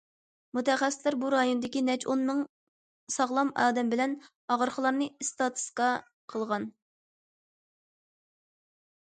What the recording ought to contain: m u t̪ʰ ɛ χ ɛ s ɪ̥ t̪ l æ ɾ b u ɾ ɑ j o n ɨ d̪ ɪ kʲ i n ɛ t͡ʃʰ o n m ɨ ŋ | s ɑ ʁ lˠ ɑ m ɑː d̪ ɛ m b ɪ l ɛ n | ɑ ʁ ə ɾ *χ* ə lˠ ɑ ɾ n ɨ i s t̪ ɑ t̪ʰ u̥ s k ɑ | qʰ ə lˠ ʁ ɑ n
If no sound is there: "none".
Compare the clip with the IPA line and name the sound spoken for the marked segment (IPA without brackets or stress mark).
χ